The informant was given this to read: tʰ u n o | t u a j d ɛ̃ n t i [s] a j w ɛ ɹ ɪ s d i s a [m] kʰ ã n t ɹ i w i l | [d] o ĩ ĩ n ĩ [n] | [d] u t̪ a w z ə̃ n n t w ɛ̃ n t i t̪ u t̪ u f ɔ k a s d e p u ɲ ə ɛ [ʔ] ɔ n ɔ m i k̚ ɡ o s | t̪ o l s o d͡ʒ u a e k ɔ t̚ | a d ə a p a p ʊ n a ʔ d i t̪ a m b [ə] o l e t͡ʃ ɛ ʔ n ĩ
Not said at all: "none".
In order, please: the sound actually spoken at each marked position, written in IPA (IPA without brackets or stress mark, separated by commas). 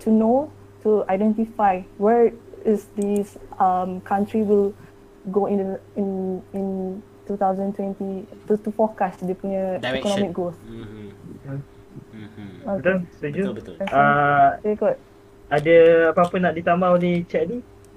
f, m, ɡ, n, t, k, a